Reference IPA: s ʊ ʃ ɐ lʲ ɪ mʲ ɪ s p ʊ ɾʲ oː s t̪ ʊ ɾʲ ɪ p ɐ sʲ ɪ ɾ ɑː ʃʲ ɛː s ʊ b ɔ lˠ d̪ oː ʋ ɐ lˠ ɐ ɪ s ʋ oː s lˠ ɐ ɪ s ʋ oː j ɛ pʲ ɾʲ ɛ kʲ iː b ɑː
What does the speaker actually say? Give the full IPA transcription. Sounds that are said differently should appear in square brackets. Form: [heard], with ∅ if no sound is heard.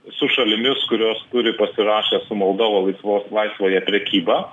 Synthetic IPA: s ʊ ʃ ɐ lʲ ɪ mʲ ɪ s [k] ʊ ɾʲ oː s t̪ ʊ ɾʲ ɪ p ɐ sʲ ɪ ɾ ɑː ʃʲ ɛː s ʊ [m] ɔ lˠ d̪ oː ʋ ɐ lˠ ɐ ɪ s ʋ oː s lˠ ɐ ɪ s ʋ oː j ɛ pʲ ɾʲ ɛ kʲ iː b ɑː

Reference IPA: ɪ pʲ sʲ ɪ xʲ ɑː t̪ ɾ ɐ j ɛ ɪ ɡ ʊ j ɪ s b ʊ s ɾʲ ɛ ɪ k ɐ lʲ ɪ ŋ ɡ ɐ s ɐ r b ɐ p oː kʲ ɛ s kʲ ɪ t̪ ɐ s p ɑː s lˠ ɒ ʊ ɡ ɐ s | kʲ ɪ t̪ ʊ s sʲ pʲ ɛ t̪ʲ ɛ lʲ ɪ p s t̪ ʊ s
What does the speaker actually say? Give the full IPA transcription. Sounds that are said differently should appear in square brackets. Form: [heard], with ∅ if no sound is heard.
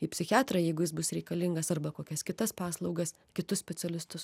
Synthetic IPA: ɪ pʲ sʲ ɪ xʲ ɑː t̪ ɾ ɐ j ɛ ɪ ɡ ʊ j ɪ s b ʊ s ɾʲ ɛ ɪ k ɐ lʲ ɪ ŋ ɡ ɐ s ɐ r b ɐ [k] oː kʲ ɛ s kʲ ɪ t̪ ɐ s p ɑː s lˠ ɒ ʊ ɡ ɐ s | kʲ ɪ t̪ ʊ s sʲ pʲ ɛ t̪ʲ ɛ lʲ ɪ [∅] s t̪ ʊ s

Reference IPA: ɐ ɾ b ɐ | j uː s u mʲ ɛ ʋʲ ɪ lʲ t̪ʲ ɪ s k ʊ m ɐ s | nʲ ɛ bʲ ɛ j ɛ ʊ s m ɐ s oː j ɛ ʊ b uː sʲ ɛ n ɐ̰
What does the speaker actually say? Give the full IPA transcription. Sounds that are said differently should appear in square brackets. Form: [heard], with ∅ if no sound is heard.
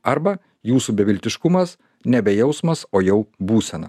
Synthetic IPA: ɐ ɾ b ɐ | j uː s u [bʲ] ɛ ʋʲ ɪ lʲ t̪ʲ ɪ [ʃ] k ʊ m ɐ s | nʲ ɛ bʲ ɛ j ɛ ʊ s m ɐ s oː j ɛ ʊ b uː sʲ ɛ n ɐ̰

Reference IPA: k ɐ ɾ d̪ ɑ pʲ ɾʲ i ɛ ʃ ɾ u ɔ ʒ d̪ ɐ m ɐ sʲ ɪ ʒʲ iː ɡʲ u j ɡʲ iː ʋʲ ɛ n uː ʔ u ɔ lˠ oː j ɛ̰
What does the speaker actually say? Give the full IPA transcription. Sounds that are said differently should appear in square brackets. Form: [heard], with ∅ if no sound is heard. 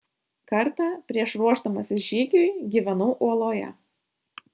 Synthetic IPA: k ɐ ɾ [t̪] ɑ pʲ ɾʲ i ɛ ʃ ɾ u ɔ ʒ d̪ ɐ m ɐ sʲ ɪ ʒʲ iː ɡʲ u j ɡʲ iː ʋʲ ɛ n uː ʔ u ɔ lˠ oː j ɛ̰

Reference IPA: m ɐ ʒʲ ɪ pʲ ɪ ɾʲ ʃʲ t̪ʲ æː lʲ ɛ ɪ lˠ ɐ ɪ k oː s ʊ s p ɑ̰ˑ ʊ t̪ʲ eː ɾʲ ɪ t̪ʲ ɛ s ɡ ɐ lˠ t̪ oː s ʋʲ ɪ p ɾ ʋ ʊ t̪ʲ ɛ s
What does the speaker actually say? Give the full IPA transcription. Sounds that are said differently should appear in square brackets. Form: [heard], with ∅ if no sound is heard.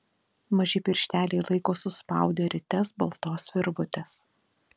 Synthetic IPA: m ɐ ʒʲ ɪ pʲ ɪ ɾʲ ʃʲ t̪ʲ æː lʲ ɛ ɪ lˠ ɐ ɪ k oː s ʊ s p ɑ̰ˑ ʊ [d̪ʲ] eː ɾʲ ɪ t̪ʲ ɛ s [b] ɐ lˠ t̪ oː s ʋʲ ɪ [∅] ɾ ʋ ʊ t̪ʲ ɛ s

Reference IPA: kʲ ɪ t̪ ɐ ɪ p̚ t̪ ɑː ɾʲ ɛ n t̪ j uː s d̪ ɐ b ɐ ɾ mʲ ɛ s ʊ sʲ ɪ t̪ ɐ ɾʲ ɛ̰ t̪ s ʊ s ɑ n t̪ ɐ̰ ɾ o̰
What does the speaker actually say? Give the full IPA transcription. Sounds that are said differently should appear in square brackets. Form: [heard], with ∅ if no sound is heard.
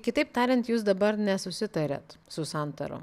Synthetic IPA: kʲ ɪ t̪ ɐ ɪ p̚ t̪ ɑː ɾʲ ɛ n t̪ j uː s d̪ ɐ b ɐ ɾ [nʲ] ɛ s ʊ sʲ ɪ t̪ ɐ ɾʲ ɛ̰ t̪ s ʊ s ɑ n t̪ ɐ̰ ɾ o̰

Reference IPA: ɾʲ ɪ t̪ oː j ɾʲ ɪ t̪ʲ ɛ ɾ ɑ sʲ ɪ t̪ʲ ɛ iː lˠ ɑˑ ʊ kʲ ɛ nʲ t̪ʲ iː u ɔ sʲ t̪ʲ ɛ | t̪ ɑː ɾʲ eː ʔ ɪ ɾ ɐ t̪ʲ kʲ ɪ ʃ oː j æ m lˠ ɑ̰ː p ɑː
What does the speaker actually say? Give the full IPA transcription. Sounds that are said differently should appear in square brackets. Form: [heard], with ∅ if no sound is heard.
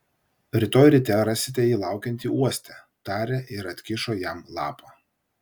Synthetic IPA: ɾʲ ɪ t̪ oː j ɾʲ ɪ t̪ʲ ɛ ɾ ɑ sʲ ɪ t̪ʲ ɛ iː lˠ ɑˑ ʊ kʲ ɛ nʲ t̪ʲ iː u ɔ sʲ t̪ʲ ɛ | t̪ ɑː ɾʲ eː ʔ ɪ ɾ ɐ t̪ʲ kʲ ɪ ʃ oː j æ m lˠ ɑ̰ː p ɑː

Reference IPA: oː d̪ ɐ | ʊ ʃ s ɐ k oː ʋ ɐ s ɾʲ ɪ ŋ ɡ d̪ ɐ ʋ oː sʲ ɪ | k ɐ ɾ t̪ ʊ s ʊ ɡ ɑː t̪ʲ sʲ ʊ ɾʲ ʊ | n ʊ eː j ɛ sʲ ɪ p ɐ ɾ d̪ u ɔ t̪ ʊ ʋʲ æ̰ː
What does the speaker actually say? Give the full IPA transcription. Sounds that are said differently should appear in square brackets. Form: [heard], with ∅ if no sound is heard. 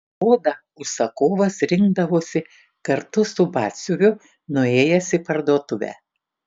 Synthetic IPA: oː d̪ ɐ | ʊ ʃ s ɐ k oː ʋ ɐ s ɾʲ ɪ ŋ ɡ d̪ ɐ ʋ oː sʲ ɪ | k ɐ ɾ t̪ ʊ s ʊ [b] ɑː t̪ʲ sʲ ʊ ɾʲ ʊ | n ʊ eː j ɛ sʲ ɪ p ɐ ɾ d̪ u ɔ t̪ ʊ ʋʲ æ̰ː

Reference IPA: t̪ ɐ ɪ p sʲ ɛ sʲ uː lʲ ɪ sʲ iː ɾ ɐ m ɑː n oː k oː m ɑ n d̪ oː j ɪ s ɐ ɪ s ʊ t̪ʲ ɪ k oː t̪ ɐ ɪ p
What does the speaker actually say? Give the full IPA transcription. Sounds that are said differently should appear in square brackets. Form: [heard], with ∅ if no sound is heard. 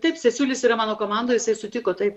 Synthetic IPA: t̪ ɐ ɪ p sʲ ɛ sʲ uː lʲ ɪ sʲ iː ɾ ɐ m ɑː n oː k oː m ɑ n d̪ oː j ɪ s ɐ ɪ s ʊ t̪ʲ ɪ k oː t̪ ɐ ɪ p

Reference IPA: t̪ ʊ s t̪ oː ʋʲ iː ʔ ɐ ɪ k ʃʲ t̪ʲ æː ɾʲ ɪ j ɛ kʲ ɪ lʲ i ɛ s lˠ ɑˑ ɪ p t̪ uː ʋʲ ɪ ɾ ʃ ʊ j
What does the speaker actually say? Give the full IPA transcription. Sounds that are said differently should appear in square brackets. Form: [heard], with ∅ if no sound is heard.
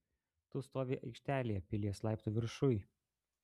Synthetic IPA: t̪ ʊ s t̪ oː ʋʲ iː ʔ ɐ ɪ k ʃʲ t̪ʲ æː [lʲ] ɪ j ɛ [pʲ] ɪ lʲ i ɛ s lˠ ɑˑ ɪ p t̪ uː ʋʲ ɪ ɾ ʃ ʊ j

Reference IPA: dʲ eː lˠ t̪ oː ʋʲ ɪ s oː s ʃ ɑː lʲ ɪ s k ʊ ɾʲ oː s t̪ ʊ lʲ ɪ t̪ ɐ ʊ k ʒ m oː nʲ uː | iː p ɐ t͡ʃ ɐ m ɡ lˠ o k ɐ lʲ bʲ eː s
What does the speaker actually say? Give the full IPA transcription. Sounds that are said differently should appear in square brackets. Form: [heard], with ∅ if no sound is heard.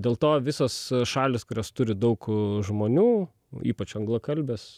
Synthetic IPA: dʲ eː lˠ t̪ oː ʋʲ ɪ s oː s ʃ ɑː lʲ ɪ s k ʊ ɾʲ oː s t̪ ʊ [ɾʲ] ɪ [d̪] ɐ ʊ k ʒ m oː nʲ uː | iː p ɐ t͡ʃ ɐ [ŋ] ɡ lˠ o k ɐ lʲ bʲ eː s

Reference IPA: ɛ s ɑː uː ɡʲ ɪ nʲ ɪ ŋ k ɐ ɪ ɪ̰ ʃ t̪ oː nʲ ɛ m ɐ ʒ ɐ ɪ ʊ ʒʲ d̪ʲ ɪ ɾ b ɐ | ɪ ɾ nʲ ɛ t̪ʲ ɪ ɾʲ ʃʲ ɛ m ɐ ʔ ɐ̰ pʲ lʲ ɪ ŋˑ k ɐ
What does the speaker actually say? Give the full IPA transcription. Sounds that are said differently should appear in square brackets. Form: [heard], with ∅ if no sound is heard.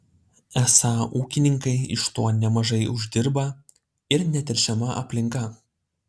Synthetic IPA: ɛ s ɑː uː [kʲ] ɪ nʲ ɪ ŋ k ɐ ɪ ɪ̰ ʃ t̪ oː nʲ ɛ m ɐ ʒ ɐ ɪ ʊ ʒʲ d̪ʲ ɪ ɾ b ɐ | ɪ ɾ nʲ ɛ t̪ʲ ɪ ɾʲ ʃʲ ɛ m ɐ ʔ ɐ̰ pʲ lʲ ɪ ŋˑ k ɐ

